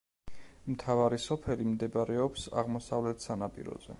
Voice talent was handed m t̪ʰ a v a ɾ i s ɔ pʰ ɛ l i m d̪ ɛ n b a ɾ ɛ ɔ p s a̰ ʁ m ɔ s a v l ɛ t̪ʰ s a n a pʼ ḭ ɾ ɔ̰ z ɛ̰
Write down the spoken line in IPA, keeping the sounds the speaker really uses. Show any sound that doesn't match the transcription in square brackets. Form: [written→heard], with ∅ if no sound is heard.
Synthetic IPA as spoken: m t̪ʰ a v a ɾ i s ɔ pʰ ɛ l i m d̪ ɛ [n→∅] b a ɾ ɛ ɔ p s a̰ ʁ m ɔ s a v l ɛ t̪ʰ s a n a pʼ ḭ ɾ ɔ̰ z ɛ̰